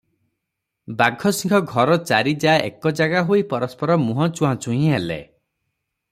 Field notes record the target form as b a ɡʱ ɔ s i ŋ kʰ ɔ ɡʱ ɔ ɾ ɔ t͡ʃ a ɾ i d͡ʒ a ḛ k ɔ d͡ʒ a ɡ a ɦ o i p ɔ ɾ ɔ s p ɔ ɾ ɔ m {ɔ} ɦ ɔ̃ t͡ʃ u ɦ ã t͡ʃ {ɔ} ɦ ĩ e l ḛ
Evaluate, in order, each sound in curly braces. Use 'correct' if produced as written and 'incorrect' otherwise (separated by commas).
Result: incorrect, incorrect